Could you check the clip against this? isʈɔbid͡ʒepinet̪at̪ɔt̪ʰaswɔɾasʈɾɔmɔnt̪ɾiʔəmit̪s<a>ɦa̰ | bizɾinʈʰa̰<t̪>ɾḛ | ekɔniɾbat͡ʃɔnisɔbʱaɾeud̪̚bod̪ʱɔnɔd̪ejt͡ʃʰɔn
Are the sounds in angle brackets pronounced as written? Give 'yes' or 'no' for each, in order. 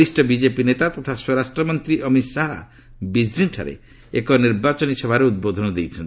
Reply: yes, no

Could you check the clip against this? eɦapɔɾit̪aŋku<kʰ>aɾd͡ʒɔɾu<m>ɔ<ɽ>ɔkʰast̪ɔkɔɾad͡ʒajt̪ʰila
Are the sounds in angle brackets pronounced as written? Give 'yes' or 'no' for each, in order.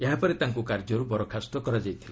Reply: no, no, no

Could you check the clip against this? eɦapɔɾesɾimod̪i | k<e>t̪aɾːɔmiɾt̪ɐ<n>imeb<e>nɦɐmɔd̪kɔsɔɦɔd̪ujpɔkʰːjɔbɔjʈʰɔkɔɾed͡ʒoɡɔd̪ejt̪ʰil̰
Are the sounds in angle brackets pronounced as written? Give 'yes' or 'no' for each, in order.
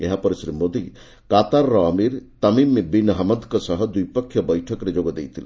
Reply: no, no, no

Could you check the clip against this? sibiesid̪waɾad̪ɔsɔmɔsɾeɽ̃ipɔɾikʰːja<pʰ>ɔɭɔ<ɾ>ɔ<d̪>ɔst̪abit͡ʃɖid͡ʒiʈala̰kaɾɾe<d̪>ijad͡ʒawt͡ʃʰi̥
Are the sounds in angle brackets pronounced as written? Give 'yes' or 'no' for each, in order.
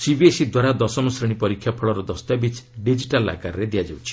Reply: yes, yes, yes, yes

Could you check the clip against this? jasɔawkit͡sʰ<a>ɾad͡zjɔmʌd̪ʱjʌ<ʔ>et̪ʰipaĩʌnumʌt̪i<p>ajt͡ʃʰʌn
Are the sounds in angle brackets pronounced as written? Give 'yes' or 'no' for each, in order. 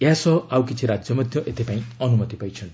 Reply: no, yes, yes

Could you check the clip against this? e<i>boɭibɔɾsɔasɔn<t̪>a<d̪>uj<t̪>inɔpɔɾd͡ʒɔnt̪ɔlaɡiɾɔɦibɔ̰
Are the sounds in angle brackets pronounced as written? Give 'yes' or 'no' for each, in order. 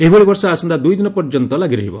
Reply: yes, no, yes, no

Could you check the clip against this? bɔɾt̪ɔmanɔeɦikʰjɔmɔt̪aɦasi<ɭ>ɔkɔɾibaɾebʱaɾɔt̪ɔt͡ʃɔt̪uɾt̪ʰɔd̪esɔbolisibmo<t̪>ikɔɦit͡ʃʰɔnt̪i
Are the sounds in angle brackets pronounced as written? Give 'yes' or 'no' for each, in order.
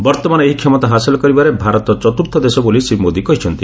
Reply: no, no

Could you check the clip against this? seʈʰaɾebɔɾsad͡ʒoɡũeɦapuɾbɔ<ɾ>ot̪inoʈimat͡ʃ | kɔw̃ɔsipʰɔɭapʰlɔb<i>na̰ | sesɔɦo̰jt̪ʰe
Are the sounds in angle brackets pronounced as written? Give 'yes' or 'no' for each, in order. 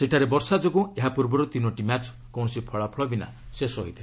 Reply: yes, yes

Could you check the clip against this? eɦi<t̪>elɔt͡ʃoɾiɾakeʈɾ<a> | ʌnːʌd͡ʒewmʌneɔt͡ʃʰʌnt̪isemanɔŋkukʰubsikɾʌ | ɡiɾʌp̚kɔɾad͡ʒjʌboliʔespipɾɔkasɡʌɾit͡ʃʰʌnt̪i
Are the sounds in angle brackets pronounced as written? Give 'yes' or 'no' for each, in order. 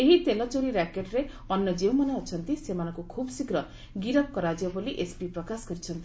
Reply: yes, no

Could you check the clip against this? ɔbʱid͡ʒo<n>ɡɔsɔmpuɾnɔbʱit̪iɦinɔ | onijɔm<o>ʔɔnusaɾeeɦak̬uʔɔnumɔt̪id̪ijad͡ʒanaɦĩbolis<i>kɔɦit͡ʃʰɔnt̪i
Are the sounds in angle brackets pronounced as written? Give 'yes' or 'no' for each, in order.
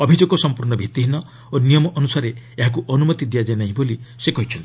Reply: no, no, no

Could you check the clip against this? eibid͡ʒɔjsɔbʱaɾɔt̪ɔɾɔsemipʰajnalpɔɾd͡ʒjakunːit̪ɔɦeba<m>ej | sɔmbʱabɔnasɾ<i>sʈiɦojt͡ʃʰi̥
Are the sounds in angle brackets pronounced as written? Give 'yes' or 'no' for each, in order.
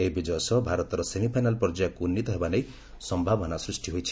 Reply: no, yes

